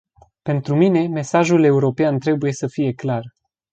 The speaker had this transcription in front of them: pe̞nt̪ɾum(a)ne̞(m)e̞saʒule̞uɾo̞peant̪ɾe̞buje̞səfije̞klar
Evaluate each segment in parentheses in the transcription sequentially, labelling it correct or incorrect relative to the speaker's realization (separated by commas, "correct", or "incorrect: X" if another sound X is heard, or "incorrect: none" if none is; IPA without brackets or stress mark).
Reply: incorrect: i, correct